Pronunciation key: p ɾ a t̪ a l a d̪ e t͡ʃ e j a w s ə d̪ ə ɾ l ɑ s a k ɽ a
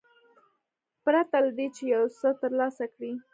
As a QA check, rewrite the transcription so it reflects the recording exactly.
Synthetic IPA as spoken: p ɾ a t̪ a l a d̪ e t͡ʃ e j a w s ə t̪ ə ɾ l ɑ s a k ɽ i